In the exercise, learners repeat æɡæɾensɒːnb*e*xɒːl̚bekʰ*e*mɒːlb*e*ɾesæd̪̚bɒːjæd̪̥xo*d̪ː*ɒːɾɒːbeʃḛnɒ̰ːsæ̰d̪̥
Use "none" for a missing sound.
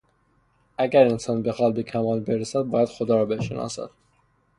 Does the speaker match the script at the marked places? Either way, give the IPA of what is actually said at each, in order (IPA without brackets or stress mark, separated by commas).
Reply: e, æ, e, d̪